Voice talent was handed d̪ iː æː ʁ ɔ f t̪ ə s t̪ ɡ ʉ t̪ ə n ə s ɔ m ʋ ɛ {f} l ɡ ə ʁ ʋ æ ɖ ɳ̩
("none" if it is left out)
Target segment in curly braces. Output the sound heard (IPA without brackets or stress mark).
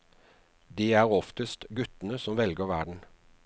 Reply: none